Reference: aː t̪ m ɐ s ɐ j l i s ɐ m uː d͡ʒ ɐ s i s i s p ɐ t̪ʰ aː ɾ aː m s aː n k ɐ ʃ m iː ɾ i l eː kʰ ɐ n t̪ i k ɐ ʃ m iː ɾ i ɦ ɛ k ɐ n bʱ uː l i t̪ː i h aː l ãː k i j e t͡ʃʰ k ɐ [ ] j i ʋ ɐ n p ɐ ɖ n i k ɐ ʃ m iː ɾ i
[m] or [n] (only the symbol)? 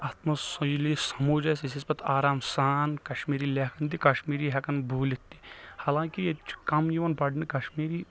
m